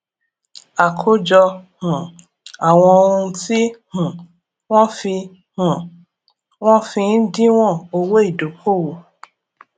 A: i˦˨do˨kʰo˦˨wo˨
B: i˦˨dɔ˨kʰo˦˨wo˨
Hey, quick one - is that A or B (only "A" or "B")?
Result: A